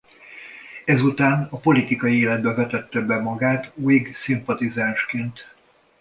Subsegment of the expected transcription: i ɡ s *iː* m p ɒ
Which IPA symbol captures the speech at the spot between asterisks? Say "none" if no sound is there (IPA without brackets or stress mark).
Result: i